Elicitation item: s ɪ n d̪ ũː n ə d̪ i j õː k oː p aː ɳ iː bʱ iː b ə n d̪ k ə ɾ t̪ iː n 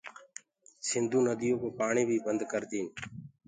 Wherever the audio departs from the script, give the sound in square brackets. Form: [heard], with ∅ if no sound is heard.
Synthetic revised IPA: s ɪ n d̪ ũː n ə d̪ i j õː k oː p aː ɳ iː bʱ iː b ə n d̪ k ə ɾ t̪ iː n